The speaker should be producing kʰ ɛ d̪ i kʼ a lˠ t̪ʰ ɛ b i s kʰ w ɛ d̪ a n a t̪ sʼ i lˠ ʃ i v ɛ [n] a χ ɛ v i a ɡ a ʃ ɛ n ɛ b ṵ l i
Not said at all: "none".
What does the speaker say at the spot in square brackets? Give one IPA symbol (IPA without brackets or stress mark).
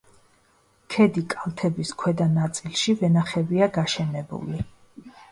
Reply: n